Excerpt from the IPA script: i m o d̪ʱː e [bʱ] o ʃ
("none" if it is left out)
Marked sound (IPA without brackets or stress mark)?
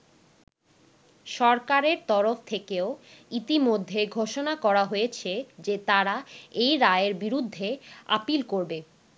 ɡʱ